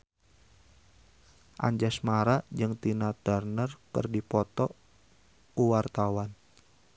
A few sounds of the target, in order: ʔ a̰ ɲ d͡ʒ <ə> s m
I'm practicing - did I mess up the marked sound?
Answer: yes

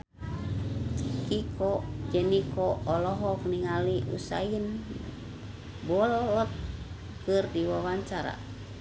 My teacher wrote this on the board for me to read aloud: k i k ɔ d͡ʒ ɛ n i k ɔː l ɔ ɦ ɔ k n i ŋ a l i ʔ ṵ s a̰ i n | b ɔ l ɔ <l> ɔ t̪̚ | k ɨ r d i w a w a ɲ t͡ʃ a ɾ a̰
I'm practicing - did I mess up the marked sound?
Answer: no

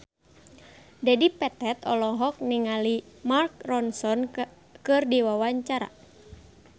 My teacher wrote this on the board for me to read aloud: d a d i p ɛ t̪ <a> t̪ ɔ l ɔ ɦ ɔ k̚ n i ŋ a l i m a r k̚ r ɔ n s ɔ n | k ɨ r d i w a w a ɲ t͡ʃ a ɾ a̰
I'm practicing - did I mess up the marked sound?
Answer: yes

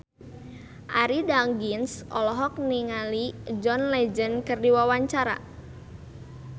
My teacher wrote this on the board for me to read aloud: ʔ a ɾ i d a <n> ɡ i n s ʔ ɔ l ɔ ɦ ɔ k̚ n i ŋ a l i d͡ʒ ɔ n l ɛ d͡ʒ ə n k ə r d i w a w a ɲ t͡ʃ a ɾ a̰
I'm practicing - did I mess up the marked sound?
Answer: yes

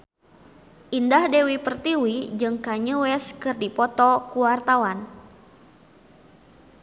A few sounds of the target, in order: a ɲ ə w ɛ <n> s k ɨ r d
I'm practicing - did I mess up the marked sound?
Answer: yes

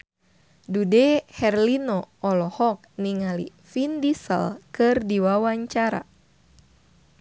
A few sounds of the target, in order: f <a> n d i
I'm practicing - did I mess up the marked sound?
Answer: yes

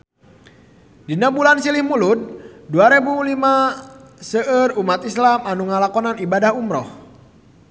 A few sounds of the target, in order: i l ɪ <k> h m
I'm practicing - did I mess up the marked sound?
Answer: yes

